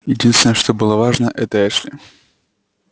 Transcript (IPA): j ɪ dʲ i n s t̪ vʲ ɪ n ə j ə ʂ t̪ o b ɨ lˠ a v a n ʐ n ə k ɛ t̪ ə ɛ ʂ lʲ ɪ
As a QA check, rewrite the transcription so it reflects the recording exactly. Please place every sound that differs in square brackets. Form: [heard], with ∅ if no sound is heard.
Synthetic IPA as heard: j ɪ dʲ i n s t̪ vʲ ɪ n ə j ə ʂ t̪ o b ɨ lˠ [ə] v a [∅] ʐ n ə [ʔ] ɛ t̪ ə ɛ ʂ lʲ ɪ